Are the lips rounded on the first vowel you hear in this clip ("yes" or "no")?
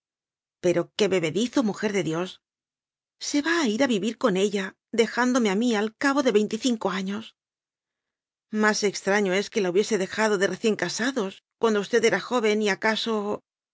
no